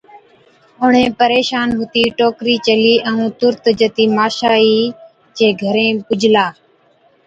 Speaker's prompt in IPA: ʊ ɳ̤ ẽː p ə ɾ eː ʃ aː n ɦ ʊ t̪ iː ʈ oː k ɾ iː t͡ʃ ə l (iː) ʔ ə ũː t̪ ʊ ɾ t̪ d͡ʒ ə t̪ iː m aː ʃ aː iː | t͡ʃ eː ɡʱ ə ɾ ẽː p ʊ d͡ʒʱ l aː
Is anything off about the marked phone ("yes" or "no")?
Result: no